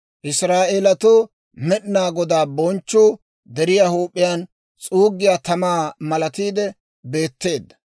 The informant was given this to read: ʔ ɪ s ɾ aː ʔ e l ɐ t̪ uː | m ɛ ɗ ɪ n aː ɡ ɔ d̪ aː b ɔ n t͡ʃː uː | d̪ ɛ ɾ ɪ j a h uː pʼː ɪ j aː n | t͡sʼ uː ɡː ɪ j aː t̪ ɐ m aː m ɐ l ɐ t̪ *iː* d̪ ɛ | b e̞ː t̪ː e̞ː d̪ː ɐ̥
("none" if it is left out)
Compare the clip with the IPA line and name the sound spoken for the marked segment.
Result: iː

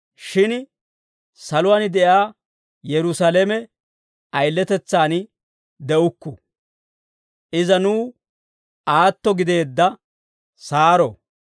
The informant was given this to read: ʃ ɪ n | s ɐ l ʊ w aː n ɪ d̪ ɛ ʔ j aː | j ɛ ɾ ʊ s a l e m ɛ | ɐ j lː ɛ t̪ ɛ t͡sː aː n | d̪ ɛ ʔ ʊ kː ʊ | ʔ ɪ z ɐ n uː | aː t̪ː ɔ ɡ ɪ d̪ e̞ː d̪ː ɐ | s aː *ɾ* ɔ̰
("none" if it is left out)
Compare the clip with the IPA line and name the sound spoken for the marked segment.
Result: ɾ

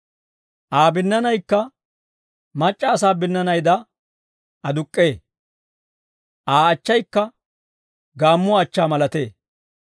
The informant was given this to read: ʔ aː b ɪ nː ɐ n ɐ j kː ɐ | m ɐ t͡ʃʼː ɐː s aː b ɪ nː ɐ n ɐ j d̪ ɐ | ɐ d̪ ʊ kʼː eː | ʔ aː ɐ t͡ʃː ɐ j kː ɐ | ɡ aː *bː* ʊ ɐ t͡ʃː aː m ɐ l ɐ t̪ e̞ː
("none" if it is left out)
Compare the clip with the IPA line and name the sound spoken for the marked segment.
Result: mː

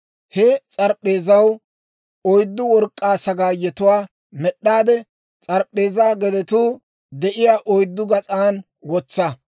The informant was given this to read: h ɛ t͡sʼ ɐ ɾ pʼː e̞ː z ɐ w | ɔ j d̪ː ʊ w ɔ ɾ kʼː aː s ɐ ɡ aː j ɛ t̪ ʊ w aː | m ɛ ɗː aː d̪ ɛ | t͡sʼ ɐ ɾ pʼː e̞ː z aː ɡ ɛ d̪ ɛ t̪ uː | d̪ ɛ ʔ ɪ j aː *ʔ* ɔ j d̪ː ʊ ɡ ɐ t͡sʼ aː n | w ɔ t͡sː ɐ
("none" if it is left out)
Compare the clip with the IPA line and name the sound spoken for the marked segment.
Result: ʔ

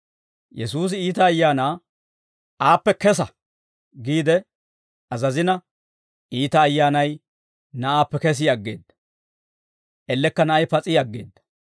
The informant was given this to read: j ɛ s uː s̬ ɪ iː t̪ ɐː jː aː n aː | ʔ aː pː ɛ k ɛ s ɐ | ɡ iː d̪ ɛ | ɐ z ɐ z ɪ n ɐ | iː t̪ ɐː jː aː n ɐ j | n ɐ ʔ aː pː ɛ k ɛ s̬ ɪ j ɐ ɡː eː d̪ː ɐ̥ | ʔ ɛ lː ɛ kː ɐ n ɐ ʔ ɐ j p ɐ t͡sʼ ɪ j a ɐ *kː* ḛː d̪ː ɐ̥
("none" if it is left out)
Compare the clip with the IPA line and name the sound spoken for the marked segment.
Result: ɡː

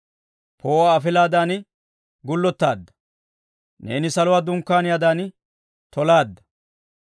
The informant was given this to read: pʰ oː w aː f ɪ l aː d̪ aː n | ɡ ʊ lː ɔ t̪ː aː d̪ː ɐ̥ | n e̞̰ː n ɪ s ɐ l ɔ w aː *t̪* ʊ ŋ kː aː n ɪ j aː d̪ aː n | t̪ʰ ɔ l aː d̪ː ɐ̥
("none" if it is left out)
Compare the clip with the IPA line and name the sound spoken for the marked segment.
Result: d̪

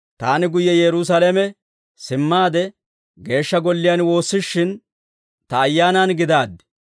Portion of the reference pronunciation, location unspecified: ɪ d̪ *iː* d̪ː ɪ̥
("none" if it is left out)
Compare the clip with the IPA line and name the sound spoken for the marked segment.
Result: aː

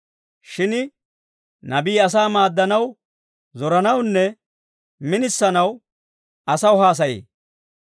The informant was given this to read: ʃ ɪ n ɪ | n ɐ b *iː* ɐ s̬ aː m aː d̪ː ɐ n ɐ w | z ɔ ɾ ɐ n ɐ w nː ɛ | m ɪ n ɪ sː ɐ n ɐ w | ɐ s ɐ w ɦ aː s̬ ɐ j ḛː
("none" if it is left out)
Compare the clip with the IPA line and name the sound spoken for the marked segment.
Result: iː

